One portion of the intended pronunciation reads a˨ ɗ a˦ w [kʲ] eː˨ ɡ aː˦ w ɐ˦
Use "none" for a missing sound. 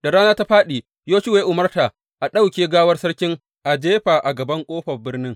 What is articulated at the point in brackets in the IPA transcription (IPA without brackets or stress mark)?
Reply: kʲ